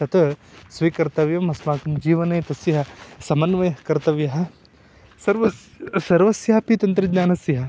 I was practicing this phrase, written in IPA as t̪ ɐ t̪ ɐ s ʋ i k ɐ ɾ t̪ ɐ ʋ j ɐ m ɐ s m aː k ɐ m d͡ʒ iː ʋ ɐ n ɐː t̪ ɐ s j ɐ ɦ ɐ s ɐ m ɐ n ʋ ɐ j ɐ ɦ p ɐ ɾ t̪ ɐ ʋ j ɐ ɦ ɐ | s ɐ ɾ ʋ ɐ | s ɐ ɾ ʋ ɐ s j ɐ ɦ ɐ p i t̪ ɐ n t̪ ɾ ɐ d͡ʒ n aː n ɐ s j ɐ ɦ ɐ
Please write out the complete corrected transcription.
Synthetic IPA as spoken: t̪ ɐ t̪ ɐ s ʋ i k ɐ ɾ t̪ ɐ ʋ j ɐ m ɐ s m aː k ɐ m d͡ʒ iː ʋ ɐ n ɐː t̪ ɐ s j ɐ ɦ ɐ s ɐ m ɐ n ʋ ɐ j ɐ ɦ k ɐ ɾ t̪ ɐ ʋ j ɐ ɦ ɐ | s ɐ ɾ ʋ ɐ | s ɐ ɾ ʋ ɐ s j ɐ ɦ ɐ p i t̪ ɐ n t̪ ɾ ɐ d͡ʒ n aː n ɐ s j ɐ ɦ ɐ